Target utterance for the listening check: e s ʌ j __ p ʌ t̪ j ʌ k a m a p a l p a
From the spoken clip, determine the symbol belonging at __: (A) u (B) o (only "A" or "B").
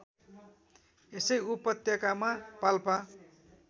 A